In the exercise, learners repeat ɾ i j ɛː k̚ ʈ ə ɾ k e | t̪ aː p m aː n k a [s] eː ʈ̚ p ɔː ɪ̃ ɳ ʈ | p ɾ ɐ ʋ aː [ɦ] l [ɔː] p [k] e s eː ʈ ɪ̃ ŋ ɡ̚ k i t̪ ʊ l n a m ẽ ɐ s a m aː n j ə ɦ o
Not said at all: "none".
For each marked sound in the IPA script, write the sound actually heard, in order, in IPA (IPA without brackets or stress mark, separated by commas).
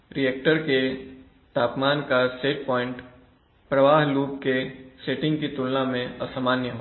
s, ɦ, uː, k